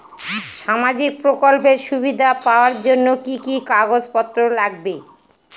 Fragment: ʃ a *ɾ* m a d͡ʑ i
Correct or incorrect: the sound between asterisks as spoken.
incorrect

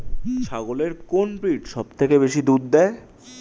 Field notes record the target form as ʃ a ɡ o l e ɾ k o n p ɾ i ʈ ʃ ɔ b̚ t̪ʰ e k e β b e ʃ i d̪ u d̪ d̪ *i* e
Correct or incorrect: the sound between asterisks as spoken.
incorrect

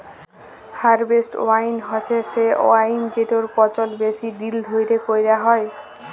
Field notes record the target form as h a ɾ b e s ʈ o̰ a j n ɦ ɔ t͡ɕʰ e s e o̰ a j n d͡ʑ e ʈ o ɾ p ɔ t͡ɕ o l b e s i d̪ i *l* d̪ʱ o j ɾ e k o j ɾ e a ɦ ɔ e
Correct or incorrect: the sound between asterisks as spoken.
correct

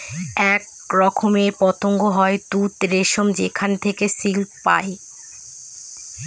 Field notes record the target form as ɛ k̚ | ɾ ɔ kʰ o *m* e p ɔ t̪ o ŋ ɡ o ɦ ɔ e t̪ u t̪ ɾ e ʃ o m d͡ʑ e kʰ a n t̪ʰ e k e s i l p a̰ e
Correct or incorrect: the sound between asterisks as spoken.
correct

